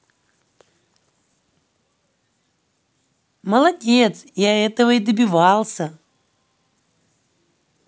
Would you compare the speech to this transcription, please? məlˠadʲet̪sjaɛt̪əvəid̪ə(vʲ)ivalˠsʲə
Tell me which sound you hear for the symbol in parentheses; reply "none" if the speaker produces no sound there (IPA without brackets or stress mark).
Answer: bʲ